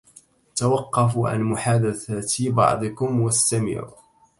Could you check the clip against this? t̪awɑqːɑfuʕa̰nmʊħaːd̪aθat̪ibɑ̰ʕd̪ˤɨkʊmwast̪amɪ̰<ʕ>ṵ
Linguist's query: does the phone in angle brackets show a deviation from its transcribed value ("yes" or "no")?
no